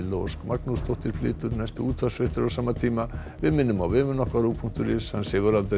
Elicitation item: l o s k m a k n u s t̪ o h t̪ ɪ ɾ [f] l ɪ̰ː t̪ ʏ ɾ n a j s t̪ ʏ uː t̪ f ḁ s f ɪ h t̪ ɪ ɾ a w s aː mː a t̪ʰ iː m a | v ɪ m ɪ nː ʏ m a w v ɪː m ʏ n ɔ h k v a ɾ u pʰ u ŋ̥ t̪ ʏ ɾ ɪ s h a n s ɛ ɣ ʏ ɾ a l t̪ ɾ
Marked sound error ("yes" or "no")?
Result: no